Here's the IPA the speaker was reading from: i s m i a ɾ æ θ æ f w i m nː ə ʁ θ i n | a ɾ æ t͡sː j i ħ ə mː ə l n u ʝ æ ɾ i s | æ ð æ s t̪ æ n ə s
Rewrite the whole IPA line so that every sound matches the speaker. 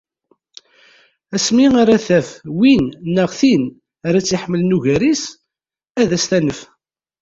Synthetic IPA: æ s m i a ɾ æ θ æ f w i n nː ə ʁ θ i n | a ɾ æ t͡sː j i ħ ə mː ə l n u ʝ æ ɾ i s | æ ð æ s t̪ æ n ə f

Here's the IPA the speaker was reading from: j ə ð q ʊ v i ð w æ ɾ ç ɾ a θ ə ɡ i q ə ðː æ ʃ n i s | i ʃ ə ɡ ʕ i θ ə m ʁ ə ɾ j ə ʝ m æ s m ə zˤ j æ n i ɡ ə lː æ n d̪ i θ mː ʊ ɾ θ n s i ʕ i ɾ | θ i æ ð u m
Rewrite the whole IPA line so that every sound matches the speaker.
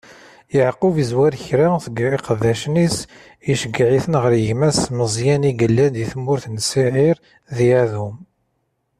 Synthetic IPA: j ə ʕ q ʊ v i z w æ ɾ ç ɾ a θ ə ɡ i q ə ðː æ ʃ n i s | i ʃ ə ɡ ʕ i θ ə n ʁ ə ɾ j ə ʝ m æ s m ə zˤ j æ n i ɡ ə lː æ n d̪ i θ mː ʊ ɾ θ n s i ʕ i ɾ | ð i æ ð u m

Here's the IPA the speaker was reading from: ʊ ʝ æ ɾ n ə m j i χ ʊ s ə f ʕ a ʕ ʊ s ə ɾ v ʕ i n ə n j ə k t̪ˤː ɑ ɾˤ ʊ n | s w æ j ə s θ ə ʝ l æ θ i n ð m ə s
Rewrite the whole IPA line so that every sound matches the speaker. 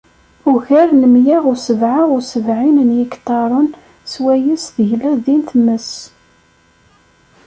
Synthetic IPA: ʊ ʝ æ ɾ n ə m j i ʁ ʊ s ə v ʕ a ʁ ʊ s ə v ʕ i n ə n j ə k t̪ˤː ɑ ɾˤ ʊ n | s w æ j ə s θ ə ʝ l æ ð i n θ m ə s

